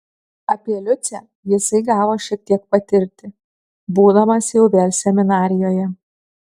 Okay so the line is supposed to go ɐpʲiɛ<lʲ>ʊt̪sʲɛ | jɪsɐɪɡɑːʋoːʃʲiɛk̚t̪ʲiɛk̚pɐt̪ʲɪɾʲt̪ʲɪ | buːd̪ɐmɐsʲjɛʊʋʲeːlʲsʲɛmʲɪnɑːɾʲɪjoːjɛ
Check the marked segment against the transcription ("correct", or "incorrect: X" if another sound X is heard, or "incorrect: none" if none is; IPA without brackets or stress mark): correct